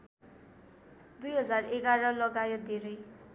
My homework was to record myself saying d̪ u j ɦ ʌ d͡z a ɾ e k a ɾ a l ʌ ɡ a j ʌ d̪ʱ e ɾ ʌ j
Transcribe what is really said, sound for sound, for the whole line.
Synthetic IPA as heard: d̪ u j ɦ ʌ d͡z a r e ɡ a ɾ ʌ l ʌ ɡ a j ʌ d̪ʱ e ɾ ʌ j

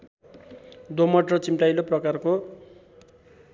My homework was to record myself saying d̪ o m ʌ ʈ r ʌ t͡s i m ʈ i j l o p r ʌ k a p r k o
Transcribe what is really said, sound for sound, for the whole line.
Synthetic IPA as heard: d̪ o m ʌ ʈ r ʌ t͡s i m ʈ a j l o p r ʌ k a r k o

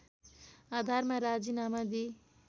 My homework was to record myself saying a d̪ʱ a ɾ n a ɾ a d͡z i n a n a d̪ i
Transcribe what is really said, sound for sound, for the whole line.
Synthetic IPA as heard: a d̪ʱ a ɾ m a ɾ a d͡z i n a m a d̪ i

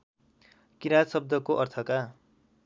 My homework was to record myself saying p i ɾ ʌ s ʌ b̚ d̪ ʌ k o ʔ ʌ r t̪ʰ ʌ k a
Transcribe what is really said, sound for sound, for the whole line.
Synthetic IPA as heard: k i ɾ a s ʌ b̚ d̪ ʌ k o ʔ ʌ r t̪ʰ ʌ k a

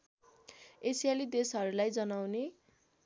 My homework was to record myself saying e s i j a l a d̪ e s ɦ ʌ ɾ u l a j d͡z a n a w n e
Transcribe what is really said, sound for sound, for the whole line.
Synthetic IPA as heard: e s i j a l i d̪ e s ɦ ʌ ɾ u l a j d͡z ʌ n a w n e

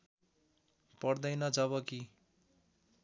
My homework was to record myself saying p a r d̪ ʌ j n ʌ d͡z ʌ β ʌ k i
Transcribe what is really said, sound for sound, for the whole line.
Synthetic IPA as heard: p ʌ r d̪ ʌ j n ʌ d͡z ʌ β ʌ k i

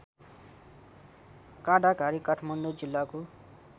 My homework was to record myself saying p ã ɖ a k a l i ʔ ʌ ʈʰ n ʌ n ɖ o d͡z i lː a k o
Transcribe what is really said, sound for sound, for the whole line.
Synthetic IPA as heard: k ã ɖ a k a ɾ i k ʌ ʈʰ m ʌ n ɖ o d͡z i lː a k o

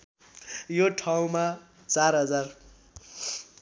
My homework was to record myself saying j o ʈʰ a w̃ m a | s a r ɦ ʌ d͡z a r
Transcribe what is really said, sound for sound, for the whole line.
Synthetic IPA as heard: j o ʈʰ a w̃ m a | t͡s a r ɦ ʌ d͡z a r

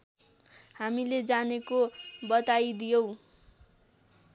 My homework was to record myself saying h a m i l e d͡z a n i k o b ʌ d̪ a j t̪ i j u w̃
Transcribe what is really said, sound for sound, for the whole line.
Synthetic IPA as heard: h a m i l e d͡z a n e k o b ʌ t̪ a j d̪ i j o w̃

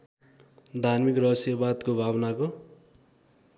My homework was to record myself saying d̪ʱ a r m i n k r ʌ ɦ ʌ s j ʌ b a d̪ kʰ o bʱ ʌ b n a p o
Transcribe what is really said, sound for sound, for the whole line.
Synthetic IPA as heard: d̪ʱ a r m i k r ʌ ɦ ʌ s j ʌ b a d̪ k o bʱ a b n a k o

